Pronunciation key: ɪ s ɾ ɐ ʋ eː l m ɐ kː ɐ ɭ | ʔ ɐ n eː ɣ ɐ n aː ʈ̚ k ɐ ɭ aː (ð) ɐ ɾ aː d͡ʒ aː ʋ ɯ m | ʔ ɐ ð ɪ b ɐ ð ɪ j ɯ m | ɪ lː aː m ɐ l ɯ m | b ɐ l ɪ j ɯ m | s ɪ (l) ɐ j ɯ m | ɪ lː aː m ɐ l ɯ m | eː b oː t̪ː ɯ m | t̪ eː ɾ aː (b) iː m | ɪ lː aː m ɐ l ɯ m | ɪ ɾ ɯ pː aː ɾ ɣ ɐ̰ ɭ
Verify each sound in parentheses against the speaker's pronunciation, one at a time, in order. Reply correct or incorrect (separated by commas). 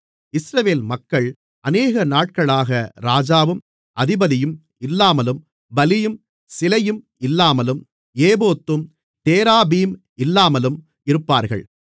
incorrect, correct, correct